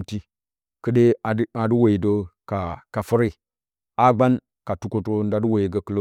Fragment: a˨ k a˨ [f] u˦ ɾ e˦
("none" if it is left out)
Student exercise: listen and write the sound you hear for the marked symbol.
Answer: f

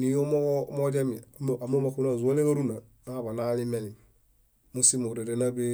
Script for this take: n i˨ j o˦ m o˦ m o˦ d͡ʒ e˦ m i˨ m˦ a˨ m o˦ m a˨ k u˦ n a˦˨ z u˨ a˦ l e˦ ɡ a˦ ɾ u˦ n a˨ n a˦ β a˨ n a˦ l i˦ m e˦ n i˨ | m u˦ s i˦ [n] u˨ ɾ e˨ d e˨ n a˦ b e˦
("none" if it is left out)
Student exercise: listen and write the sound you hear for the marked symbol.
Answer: m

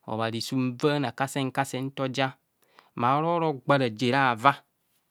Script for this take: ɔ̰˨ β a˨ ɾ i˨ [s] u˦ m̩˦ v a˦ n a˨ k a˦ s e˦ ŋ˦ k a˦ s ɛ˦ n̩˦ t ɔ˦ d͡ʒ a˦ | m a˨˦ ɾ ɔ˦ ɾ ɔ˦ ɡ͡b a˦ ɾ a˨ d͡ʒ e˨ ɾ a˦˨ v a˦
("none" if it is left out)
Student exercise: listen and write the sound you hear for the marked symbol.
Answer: s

